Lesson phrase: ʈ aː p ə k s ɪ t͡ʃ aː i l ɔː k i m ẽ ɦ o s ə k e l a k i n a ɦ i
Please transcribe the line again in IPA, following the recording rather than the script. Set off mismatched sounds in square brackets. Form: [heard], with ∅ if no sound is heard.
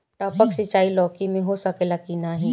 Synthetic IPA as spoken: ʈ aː p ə k s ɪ t͡ʃ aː i l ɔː k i m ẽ ɦ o s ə k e l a k i n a ɦ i